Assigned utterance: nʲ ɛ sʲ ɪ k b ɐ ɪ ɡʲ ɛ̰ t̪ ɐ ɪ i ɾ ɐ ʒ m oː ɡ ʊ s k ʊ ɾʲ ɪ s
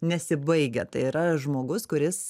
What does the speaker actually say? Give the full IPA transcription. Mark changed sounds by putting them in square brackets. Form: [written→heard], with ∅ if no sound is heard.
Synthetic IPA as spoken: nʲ ɛ sʲ ɪ [k→∅] b ɐ ɪ ɡʲ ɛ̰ t̪ ɐ ɪ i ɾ ɐ ʒ m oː ɡ ʊ s k ʊ ɾʲ ɪ s